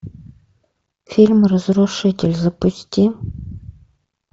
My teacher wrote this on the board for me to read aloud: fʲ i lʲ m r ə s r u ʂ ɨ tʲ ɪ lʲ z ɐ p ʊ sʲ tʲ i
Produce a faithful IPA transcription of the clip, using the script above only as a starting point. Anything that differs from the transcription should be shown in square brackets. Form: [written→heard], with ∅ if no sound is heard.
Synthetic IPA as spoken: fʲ i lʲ m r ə [s→z] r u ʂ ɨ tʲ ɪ lʲ z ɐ p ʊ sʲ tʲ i